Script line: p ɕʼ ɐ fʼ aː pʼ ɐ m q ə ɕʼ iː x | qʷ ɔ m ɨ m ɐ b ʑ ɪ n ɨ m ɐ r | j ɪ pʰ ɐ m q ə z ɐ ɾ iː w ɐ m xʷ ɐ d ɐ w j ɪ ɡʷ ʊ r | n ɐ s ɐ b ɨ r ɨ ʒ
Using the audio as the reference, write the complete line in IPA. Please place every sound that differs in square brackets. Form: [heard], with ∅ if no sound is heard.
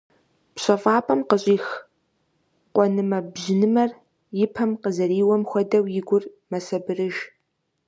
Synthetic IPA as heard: p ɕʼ ɐ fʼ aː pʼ ɐ m q ə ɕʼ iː x | qʷ ɔ [n] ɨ m ɐ b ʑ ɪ n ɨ m ɐ r | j ɪ pʰ ɐ m q ə z ɐ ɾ iː w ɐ m xʷ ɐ d ɐ w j ɪ ɡʷ ʊ r | [m] ɐ s ɐ b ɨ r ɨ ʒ